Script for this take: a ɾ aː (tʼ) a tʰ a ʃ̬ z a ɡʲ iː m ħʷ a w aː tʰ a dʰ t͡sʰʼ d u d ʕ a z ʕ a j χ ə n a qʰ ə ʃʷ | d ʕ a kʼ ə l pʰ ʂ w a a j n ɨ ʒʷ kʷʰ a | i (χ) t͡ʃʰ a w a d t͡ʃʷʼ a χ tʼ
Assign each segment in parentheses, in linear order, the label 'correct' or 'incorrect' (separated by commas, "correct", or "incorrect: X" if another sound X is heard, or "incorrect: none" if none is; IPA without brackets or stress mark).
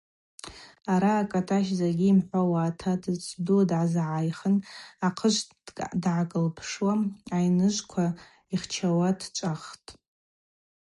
incorrect: kʼ, correct